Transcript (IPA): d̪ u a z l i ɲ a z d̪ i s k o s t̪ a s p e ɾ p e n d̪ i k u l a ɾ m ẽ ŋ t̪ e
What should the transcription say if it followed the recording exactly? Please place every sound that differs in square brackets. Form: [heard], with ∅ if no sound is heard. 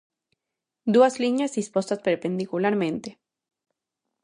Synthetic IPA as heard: d̪ u a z l i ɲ a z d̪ i s [p] o s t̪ a s p e ɾ p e n d̪ i k u l a ɾ m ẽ [n] t̪ e